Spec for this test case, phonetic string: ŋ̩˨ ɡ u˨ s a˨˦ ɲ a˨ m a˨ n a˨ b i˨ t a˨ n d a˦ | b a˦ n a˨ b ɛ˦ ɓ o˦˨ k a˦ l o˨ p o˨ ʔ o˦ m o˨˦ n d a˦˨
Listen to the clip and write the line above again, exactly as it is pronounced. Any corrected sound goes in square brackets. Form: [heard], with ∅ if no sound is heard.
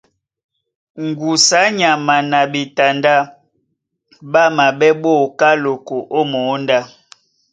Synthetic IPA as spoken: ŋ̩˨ ɡ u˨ s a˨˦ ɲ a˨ m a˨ n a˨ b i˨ t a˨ n d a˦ | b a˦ [m] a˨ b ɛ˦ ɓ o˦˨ k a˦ l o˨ [k] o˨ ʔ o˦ m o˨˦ n d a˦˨